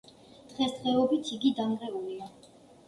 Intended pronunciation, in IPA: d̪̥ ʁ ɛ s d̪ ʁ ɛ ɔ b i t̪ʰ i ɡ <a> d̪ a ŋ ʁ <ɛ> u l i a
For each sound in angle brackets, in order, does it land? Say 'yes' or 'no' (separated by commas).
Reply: no, yes